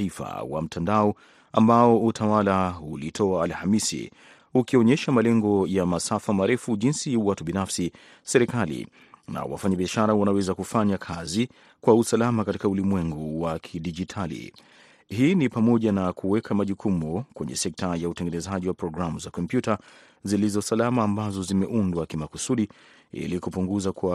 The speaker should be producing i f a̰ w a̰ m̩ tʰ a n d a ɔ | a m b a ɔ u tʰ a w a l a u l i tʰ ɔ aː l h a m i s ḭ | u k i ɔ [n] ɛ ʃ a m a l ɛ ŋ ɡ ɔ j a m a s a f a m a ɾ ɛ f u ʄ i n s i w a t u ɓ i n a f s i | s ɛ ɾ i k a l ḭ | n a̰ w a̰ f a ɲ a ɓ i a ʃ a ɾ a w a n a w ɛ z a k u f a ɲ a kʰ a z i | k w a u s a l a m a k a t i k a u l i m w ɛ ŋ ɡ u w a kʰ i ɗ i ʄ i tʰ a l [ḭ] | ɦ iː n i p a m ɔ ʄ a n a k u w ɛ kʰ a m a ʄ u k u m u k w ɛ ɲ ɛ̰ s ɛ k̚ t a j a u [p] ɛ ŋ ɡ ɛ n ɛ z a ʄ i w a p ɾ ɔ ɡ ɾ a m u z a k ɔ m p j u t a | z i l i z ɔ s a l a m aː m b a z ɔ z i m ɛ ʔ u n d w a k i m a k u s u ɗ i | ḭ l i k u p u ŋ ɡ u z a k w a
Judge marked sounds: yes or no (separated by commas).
no, yes, no